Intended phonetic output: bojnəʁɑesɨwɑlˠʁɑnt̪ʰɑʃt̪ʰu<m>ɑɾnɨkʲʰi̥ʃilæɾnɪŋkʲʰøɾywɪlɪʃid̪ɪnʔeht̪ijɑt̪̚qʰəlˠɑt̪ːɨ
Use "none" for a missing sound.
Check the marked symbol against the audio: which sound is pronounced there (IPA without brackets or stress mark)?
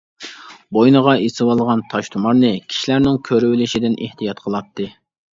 m